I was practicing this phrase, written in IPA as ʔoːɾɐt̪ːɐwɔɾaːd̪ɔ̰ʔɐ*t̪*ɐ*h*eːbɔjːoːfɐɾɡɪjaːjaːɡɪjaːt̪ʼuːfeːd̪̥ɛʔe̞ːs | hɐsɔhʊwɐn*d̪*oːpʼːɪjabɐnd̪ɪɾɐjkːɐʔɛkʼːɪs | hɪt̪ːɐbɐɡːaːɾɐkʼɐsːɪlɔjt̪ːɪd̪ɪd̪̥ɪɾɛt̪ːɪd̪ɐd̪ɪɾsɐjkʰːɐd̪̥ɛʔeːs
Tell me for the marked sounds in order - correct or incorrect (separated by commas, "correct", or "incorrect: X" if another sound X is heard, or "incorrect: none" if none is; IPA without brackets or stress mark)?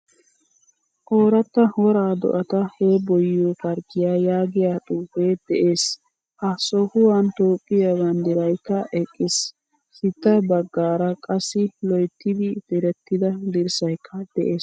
correct, correct, incorrect: t̪